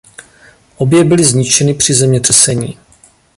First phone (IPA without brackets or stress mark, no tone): ʔ